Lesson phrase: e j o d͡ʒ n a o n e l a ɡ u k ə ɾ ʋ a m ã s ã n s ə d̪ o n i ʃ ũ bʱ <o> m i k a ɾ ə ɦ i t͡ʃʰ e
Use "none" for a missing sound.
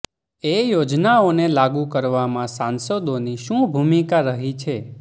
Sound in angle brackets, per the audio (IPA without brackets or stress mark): u